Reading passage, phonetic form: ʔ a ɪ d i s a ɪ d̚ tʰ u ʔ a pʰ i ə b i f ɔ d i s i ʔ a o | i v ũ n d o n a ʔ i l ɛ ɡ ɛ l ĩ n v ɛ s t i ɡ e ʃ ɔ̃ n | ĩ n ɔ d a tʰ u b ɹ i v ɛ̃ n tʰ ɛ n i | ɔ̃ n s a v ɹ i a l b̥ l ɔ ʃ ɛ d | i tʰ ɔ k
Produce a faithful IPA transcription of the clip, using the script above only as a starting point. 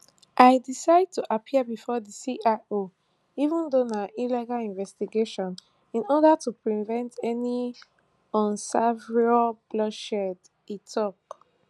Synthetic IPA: ʔ a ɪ d i s a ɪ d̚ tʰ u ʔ a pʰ i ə b i f ɔ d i s i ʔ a o | i v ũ n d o n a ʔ i l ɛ ɡ a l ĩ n v ɛ s t i ɡ e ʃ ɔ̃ n | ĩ n ɔ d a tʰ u p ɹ i v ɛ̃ n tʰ ɛ n i | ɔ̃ n s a v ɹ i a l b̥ l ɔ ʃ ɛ d | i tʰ ɔ k